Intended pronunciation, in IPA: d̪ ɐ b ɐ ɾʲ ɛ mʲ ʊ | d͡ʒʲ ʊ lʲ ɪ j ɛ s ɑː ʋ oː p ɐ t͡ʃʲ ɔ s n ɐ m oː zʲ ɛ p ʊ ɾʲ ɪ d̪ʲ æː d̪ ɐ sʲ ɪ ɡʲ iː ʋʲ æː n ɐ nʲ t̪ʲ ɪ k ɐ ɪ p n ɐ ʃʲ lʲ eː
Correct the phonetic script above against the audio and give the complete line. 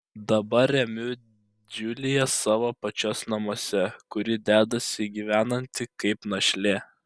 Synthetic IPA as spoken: d̪ ɐ b ɐ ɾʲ ɛ mʲ ʊ | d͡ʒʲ ʊ lʲ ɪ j ɛ s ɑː ʋ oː p ɐ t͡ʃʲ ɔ s n ɐ m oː sʲ ɛ k ʊ ɾʲ ɪ d̪ʲ æː d̪ ɐ sʲ ɪ ɡʲ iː ʋʲ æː n ɐ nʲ t̪ʲ ɪ k ɐ ɪ p n ɐ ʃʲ lʲ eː